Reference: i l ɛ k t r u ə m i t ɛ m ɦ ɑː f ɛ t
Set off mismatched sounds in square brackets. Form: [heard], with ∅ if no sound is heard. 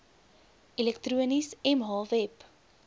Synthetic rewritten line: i l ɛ k t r u ə [n] i [s] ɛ m ɦ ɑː [v] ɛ [p]